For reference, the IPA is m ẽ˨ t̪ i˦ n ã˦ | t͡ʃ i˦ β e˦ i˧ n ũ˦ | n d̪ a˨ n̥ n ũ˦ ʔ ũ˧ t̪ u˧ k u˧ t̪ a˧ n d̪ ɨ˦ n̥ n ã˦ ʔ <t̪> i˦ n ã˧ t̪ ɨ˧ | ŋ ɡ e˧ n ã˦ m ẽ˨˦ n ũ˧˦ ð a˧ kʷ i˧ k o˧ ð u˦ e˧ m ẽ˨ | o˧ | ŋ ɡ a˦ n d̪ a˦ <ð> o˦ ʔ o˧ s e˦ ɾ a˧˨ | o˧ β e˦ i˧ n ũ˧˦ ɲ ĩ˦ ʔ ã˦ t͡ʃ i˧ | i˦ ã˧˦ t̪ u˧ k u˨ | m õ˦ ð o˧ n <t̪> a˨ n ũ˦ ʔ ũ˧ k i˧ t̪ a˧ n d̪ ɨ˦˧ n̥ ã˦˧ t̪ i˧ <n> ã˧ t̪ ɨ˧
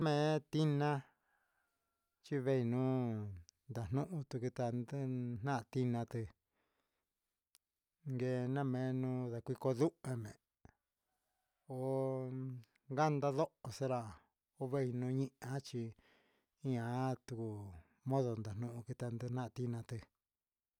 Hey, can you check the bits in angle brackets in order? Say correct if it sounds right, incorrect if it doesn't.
correct, correct, incorrect, correct

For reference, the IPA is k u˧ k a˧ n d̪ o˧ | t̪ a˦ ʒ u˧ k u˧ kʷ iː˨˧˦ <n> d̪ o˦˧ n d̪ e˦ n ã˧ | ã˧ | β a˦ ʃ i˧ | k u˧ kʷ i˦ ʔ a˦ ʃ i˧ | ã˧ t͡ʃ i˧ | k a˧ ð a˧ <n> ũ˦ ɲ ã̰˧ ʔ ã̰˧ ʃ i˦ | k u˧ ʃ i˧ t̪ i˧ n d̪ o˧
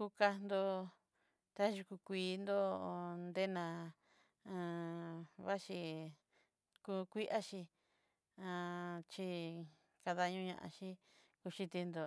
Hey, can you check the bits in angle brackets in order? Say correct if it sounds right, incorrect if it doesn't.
correct, incorrect

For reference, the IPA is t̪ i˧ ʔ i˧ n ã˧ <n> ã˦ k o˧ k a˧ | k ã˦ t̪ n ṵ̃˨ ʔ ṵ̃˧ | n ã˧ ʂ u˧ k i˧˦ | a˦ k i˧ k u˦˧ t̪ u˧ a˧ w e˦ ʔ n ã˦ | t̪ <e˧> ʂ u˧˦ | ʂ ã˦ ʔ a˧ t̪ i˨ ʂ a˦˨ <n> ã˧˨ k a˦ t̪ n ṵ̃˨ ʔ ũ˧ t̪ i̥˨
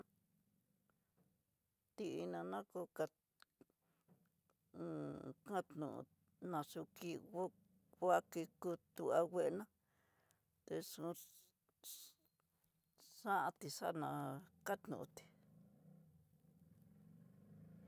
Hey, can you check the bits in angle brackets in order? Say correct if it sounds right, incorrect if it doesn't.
correct, correct, correct

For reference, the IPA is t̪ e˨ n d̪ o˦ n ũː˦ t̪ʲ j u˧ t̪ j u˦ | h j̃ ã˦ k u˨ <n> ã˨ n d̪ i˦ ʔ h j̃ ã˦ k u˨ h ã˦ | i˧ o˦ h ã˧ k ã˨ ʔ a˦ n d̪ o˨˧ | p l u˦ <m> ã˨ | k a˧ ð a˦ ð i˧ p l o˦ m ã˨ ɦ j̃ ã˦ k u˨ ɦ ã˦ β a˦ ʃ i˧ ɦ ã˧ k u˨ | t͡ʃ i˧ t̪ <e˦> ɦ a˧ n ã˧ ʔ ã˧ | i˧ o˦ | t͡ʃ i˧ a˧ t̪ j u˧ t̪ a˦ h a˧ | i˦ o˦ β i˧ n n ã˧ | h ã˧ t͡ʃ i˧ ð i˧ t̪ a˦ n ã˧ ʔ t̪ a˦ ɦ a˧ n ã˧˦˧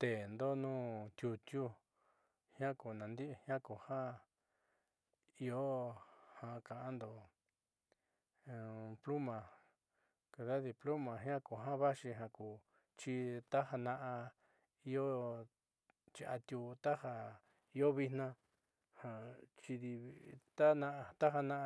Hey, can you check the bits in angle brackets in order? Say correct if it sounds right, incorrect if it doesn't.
correct, correct, incorrect

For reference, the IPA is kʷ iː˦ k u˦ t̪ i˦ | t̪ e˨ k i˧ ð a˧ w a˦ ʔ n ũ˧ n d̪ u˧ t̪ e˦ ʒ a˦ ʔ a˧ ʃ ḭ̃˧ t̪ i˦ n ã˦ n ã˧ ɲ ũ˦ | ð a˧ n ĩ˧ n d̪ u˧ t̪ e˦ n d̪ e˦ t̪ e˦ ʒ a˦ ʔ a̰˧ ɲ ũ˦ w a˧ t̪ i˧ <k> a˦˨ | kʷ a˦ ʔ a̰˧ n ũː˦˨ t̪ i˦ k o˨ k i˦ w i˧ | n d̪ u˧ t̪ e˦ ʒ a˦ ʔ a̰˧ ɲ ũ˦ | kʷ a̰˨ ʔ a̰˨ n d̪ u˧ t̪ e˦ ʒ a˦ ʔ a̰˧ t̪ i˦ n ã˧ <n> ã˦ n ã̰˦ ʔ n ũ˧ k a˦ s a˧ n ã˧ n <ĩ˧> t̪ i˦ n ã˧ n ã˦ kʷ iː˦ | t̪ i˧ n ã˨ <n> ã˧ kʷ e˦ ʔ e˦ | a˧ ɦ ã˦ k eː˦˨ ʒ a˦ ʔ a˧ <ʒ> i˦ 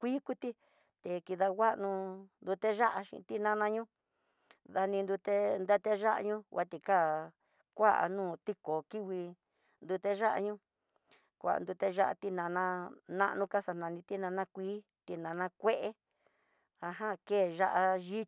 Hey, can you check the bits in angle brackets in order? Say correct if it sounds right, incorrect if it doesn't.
correct, correct, correct, correct, correct

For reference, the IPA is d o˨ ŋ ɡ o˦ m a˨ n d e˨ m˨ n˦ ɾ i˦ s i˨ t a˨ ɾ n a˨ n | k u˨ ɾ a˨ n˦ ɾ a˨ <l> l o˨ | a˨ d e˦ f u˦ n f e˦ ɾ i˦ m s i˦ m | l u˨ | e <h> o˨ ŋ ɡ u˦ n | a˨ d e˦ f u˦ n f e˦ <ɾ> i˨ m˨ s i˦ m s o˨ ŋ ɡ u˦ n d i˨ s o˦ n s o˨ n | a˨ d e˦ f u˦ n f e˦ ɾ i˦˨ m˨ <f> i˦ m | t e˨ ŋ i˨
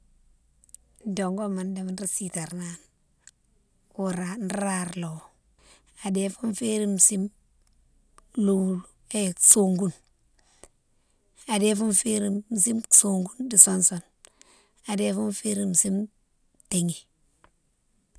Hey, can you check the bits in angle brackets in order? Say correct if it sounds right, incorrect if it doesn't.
incorrect, incorrect, correct, incorrect

